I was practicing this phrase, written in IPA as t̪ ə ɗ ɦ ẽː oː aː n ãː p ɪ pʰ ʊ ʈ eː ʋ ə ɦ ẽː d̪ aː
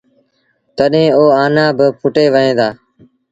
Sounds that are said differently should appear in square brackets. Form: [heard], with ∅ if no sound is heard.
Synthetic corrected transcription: t̪ ə ɗ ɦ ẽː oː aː n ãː [b] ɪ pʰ ʊ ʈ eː ʋ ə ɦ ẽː d̪ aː